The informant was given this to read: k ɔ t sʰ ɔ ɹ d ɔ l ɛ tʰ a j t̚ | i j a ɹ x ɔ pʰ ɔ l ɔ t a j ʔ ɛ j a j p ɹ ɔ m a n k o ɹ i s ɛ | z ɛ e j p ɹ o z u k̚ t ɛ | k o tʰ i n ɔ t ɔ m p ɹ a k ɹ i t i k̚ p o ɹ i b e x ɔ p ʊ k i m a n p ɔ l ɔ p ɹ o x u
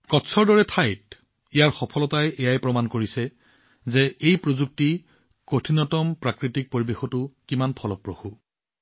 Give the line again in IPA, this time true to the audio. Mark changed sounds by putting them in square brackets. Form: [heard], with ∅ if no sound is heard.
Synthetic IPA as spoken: k ɔ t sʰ ɔ ɹ d ɔ [ɹ] ɛ tʰ a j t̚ | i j a ɹ x ɔ pʰ ɔ l ɔ t a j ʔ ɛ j a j p ɹ ɔ m a n k o ɹ i s ɛ | z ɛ e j p ɹ o z u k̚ t [i] | k o tʰ i n ɔ t ɔ m p ɹ a k ɹ i t i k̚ p o ɹ i b e x ɔ [t] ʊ k i m a n [pʰ] ɔ l ɔ p ɹ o x u